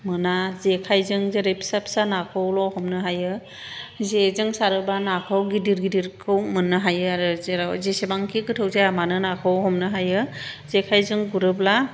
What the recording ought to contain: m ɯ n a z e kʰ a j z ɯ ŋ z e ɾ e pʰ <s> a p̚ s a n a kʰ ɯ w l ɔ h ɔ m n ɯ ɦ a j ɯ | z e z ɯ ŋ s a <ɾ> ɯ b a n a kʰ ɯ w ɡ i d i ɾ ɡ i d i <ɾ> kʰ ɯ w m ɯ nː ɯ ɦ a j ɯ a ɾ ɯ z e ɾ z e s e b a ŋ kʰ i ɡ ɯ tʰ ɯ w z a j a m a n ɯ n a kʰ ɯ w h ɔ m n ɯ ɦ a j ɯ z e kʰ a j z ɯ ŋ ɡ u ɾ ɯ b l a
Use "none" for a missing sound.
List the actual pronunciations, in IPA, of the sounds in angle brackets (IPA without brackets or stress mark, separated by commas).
s, ɾ, ɾ